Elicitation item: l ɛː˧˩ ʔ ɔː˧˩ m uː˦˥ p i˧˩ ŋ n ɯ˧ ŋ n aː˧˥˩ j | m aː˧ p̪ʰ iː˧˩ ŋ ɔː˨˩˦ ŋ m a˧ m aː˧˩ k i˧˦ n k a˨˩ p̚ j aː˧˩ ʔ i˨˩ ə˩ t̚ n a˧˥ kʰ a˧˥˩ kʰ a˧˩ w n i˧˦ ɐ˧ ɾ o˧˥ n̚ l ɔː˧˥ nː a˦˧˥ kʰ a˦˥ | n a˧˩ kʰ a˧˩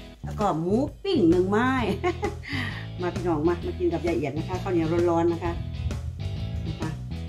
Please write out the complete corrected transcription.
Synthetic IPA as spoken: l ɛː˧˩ k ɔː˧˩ m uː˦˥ p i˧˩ ŋ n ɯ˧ ŋ m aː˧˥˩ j | m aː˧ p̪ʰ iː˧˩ n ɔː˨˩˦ ŋ m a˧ m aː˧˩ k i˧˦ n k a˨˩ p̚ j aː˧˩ ʔ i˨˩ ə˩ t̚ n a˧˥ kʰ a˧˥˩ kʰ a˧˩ w n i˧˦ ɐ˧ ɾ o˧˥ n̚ l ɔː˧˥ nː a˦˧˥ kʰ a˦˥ | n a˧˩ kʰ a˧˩